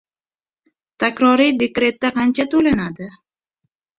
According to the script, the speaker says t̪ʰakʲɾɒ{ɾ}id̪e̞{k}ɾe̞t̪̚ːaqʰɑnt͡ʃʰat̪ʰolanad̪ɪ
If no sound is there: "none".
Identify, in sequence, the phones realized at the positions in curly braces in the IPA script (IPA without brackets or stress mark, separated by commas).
ɾ, k